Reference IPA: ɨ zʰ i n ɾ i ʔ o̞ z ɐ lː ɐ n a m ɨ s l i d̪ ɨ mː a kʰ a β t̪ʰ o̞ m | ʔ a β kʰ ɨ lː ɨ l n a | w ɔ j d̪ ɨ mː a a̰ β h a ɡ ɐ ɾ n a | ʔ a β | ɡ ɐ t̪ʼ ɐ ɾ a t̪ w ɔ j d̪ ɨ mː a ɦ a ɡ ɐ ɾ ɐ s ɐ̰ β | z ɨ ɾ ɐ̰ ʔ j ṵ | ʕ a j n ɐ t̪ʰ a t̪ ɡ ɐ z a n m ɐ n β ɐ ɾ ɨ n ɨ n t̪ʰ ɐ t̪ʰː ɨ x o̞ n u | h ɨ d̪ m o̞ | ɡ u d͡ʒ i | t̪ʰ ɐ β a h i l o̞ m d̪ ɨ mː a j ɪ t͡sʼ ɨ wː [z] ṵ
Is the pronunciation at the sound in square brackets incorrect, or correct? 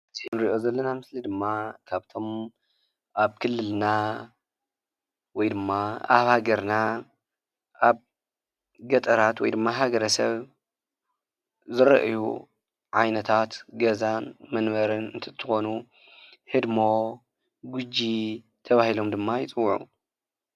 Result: incorrect